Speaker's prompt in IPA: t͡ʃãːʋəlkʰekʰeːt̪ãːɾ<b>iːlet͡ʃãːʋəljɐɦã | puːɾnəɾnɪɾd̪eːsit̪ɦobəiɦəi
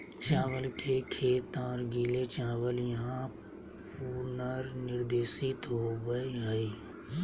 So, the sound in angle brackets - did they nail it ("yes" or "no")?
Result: no